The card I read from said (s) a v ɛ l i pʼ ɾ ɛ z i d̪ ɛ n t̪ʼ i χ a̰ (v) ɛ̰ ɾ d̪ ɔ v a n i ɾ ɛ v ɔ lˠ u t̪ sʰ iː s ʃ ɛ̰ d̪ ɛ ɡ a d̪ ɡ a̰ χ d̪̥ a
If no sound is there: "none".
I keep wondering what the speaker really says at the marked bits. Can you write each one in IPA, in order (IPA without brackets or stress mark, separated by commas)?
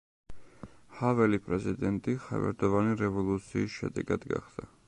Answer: h, v